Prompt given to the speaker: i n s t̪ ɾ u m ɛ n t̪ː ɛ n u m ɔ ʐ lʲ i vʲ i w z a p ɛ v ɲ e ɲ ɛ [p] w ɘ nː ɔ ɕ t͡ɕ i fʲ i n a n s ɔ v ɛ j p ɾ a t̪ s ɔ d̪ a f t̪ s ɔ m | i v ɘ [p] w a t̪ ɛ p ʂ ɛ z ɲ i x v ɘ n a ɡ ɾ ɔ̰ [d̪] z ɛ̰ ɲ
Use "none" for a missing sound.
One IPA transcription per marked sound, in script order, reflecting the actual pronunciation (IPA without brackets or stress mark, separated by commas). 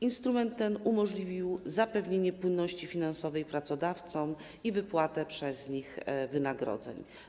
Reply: p, p, d̪